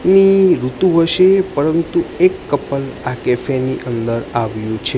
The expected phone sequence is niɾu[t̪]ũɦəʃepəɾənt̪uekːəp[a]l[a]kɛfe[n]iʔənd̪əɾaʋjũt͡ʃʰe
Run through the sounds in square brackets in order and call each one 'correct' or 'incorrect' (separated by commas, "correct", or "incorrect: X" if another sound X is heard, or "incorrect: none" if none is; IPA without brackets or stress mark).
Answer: correct, incorrect: ə, correct, correct